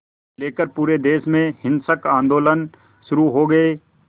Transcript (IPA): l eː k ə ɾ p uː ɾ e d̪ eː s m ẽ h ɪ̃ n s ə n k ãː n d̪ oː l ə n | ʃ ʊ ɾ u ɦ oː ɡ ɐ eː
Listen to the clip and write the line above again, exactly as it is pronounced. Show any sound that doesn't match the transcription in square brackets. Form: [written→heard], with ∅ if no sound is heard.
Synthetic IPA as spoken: l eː k ə ɾ p uː ɾ e d̪ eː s m ẽ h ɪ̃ n s ə [n→∅] k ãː n d̪ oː l ə n | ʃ ʊ ɾ u ɦ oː ɡ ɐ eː